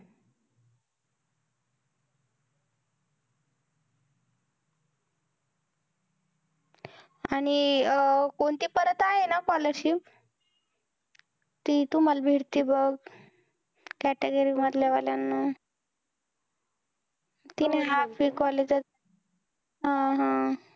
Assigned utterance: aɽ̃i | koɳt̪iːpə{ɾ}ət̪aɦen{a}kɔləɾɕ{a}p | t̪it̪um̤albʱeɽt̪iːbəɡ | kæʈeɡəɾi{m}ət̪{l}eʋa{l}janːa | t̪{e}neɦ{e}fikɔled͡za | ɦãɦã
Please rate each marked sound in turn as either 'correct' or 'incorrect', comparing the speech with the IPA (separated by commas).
correct, correct, incorrect, correct, correct, correct, incorrect, incorrect